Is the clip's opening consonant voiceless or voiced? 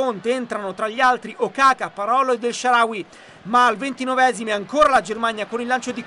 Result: voiced